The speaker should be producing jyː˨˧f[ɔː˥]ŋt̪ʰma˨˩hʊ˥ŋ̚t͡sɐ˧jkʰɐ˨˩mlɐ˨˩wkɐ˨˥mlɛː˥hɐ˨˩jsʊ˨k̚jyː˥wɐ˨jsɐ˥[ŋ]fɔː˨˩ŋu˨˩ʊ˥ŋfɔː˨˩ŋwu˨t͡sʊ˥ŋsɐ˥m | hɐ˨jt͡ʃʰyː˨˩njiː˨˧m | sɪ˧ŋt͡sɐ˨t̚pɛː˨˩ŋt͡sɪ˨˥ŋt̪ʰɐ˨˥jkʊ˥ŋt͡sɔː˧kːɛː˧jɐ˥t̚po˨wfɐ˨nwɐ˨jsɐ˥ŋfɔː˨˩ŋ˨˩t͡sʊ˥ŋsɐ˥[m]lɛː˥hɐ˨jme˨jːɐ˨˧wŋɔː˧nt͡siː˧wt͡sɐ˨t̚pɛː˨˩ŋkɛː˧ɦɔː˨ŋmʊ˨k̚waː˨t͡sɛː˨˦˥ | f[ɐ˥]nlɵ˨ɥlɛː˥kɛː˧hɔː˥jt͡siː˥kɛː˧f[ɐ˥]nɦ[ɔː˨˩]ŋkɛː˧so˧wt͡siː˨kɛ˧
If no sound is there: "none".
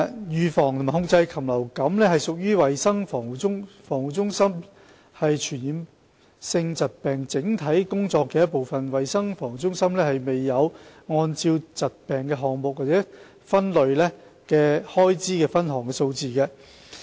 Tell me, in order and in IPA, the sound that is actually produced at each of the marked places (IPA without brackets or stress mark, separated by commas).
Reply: ɔː˨˩, ŋ, m, ɐ˥, ɐ˥, ɔː˨˩